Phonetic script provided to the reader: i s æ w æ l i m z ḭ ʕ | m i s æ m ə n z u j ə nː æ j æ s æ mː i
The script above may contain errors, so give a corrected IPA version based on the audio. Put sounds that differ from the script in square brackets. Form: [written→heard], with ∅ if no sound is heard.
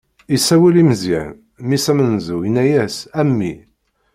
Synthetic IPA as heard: i s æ w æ l i m z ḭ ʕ | m i s æ m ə n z u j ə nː æ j æ s æ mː i